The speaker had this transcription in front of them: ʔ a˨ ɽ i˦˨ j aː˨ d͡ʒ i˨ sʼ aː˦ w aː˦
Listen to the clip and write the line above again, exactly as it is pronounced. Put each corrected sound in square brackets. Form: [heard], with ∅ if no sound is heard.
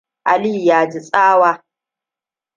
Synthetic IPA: ʔ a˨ [l] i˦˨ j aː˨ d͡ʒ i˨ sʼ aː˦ w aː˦